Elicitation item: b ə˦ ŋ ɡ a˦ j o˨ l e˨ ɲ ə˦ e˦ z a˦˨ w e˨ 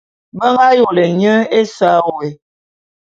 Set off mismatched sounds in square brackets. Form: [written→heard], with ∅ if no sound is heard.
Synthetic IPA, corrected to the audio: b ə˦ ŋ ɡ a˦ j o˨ l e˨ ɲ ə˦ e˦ [z→s] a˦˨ w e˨